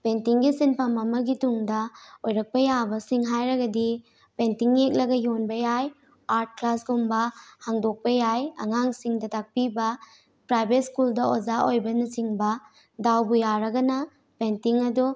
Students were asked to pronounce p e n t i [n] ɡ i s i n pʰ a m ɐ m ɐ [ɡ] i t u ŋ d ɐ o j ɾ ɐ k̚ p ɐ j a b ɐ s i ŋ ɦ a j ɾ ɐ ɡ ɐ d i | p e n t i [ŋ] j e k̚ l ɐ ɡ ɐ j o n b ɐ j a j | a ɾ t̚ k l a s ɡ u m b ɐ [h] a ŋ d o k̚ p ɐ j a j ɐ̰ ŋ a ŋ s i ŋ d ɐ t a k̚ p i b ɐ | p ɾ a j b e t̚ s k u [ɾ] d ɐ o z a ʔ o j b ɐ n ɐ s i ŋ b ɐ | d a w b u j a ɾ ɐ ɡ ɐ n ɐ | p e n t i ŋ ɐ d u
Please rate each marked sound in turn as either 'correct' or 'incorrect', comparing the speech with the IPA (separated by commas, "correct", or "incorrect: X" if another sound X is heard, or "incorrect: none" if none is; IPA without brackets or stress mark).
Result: incorrect: ŋ, correct, correct, correct, incorrect: l